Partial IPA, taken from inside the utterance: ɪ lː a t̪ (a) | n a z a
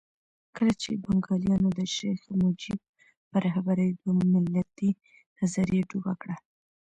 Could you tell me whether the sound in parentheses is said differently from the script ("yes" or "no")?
yes